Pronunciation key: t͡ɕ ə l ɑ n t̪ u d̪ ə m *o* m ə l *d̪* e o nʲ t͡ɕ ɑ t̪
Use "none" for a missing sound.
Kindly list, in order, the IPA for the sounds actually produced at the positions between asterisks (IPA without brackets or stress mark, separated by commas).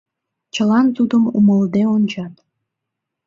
u, d̪